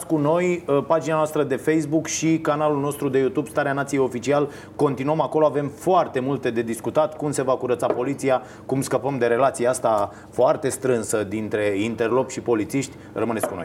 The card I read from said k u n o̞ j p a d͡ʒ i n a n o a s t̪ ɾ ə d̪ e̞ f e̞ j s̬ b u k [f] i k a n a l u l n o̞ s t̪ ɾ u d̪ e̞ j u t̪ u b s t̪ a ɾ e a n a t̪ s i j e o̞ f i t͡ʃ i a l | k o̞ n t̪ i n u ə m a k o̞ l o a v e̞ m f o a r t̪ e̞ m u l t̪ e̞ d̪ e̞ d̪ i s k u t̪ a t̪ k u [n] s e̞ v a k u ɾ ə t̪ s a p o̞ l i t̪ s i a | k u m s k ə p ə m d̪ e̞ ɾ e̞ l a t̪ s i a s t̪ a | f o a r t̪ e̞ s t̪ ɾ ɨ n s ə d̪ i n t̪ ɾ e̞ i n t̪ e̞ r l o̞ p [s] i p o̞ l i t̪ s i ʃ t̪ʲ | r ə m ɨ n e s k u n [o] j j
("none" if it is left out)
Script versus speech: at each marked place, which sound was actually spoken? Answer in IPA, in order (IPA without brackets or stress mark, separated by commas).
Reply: ʃ, m, ʃ, o